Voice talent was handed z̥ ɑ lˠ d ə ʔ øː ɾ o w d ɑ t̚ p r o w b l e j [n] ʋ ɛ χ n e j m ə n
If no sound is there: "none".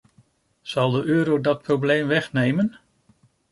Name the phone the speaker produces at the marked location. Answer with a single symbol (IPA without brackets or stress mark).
m